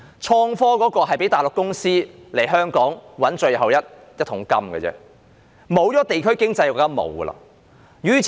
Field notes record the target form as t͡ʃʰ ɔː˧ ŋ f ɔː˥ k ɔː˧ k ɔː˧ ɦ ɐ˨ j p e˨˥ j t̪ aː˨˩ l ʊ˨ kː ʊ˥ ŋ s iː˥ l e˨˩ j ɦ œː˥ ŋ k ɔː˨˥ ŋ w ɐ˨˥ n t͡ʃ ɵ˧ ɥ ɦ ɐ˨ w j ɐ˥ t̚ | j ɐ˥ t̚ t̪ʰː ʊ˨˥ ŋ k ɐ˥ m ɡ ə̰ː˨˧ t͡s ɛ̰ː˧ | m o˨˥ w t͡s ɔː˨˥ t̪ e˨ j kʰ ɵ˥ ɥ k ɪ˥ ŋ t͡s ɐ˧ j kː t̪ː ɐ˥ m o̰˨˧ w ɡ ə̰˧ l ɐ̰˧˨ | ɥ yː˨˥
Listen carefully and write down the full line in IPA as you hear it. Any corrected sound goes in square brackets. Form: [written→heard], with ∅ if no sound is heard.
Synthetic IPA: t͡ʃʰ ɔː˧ ŋ f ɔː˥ k [ɔː˧→ɔː˨˥] k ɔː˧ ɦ ɐ˨ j p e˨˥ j t̪ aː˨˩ l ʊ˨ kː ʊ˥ ŋ s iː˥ l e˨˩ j ɦ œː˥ ŋ k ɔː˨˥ ŋ w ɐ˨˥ n t͡ʃ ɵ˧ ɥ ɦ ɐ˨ w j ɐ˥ t̚ | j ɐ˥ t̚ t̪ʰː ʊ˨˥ ŋ k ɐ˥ m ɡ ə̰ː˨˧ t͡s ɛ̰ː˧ | m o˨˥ w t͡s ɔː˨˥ t̪ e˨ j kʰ ɵ˥ ɥ k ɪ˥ ŋ t͡s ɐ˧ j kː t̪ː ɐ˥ m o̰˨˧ w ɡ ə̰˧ l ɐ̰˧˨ | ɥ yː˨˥